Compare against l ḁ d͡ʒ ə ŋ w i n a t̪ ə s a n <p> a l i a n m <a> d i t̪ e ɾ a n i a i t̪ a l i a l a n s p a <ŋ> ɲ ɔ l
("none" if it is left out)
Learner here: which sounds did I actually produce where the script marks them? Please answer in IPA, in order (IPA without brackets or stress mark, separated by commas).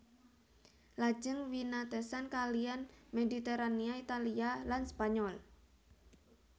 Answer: k, e, none